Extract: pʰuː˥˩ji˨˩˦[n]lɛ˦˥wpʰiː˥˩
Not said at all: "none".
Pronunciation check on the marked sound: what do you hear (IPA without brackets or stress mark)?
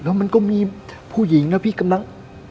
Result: ŋ